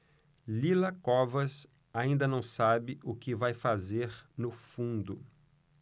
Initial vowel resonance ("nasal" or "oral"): oral